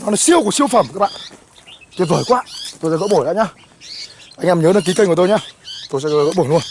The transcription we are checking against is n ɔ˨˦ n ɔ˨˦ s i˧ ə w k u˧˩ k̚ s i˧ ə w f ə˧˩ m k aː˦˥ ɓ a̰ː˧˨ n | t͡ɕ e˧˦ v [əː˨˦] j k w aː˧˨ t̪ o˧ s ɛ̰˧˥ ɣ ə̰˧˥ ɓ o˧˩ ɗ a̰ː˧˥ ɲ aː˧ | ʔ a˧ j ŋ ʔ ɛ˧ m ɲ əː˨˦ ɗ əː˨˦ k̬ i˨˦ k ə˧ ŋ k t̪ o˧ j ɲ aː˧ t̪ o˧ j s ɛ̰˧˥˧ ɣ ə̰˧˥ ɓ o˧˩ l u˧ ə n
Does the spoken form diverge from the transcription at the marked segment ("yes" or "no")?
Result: yes